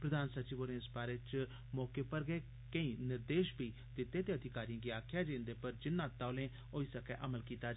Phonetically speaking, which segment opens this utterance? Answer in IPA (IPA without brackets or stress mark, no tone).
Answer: p